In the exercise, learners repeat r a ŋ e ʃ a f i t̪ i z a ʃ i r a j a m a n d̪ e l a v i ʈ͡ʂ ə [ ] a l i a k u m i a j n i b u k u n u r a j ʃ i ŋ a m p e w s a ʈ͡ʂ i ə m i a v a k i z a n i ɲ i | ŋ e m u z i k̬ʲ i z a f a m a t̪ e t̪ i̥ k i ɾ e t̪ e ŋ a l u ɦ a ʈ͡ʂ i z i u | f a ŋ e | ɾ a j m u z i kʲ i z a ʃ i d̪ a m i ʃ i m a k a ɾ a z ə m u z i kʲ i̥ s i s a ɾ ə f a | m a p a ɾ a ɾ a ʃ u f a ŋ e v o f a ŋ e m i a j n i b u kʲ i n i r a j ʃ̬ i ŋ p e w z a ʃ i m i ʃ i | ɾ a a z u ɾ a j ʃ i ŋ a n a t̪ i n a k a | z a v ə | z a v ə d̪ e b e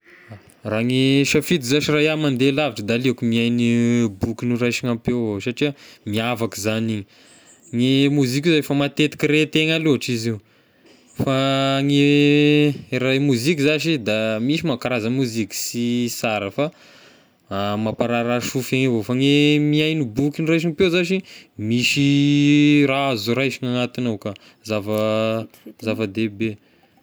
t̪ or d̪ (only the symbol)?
d̪